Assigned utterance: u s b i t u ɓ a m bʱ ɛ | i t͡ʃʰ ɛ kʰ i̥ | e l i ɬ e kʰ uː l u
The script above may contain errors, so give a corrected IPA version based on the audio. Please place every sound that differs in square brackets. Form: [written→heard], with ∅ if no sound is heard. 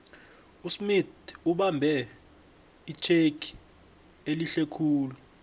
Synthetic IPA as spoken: u s [b→m] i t u ɓ a m bʱ ɛ | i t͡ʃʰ [ɛ→e] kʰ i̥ | e l i ɬ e kʰ uː l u

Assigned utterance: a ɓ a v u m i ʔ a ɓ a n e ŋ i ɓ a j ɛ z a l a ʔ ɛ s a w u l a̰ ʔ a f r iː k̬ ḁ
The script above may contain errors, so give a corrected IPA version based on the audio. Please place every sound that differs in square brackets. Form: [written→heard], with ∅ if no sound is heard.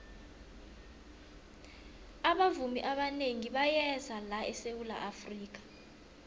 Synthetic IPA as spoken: a ɓ a v u m i ʔ a ɓ a n e ŋ i ɓ a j ɛ z a l a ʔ ɛ s [a→e] w u l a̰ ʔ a f r iː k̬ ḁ

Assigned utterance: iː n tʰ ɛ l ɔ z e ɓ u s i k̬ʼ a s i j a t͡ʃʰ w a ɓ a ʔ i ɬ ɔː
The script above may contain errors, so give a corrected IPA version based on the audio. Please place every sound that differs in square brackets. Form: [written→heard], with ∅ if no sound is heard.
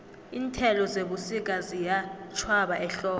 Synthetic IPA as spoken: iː n tʰ ɛ l ɔ z e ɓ u s i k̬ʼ a [s→z] i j a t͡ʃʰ w a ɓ a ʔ [i→ɛ] ɬ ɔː

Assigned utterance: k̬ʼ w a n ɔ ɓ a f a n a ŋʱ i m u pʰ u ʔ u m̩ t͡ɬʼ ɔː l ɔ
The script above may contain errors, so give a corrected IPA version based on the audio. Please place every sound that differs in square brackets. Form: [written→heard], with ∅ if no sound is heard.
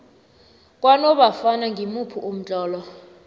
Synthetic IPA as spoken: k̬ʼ w a n ɔ ɓ a f a n a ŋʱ i m u pʰ u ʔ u m̩ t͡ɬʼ ɔː l ɔ

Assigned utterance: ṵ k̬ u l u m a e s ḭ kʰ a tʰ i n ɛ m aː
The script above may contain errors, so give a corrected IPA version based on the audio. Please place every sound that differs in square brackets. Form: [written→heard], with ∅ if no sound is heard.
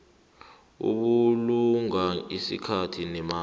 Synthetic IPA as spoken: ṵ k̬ u l u [m→ŋ] a [e→i] s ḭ kʰ a tʰ i n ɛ m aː

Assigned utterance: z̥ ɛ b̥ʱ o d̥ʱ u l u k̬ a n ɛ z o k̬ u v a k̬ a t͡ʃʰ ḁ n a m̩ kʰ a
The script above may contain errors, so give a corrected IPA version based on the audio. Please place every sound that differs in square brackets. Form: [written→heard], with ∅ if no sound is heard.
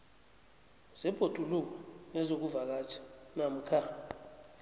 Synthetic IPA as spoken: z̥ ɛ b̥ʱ o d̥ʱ u l u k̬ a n ɛ z o k̬ u v a k̬ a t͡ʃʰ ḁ n a m̩ kʰ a

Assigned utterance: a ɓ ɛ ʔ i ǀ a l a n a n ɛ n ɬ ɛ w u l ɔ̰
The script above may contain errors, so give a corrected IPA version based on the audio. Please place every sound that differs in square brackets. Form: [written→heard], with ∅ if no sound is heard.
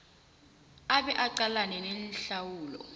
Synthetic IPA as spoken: a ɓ ɛ ʔ [i→a] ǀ a l a n [a→ɛ] n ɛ n ɬ [ɛ→a] w [u→uː] l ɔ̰

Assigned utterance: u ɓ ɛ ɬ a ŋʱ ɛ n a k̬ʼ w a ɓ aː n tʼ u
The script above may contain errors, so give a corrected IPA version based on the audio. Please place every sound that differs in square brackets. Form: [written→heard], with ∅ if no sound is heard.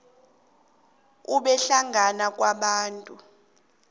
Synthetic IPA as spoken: u ɓ ɛ ɬ a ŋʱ [ɛ→a] n a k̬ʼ w a ɓ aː n tʼ u

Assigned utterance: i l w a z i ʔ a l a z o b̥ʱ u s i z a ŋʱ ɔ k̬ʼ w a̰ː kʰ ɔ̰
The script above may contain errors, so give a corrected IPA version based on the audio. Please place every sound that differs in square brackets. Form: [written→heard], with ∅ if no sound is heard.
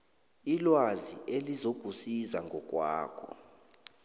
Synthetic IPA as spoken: i l w a z i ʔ [a→e] l [a→i] z o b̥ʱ u s i z a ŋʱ ɔ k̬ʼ w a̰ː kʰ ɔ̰

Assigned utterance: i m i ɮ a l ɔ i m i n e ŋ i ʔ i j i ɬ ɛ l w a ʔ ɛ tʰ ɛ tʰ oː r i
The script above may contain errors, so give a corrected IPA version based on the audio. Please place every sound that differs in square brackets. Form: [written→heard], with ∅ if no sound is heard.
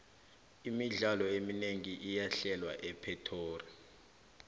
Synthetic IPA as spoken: i m i ɮ a l ɔ [i→e] m i n e ŋ i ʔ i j [i→a] ɬ ɛ l w a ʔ ɛ [tʰ→pʰ] ɛ tʰ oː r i

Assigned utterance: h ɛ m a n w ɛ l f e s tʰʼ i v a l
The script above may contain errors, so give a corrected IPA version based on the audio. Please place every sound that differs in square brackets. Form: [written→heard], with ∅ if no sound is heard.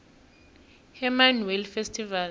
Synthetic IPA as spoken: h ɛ m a n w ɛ l f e s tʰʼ i v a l

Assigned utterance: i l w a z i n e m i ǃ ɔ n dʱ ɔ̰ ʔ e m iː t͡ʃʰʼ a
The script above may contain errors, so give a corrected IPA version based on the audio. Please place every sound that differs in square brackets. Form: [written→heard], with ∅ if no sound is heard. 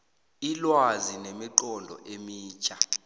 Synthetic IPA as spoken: i l w a z i n e m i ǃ ɔ n dʱ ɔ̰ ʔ e m iː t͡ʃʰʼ a

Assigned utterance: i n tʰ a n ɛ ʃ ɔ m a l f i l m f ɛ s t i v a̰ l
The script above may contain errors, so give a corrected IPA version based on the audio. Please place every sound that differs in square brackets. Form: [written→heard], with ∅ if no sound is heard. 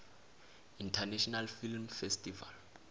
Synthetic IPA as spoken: i n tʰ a n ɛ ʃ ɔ [m→n] a l f i l m f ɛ s t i v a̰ l

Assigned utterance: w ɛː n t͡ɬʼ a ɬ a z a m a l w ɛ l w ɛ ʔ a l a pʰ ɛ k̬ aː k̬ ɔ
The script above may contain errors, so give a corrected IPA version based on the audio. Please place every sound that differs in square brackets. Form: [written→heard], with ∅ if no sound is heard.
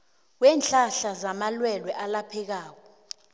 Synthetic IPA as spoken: w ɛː n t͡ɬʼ a ɬ a z a m a l w ɛ l w ɛ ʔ a l a pʰ ɛ k̬ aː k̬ ɔ

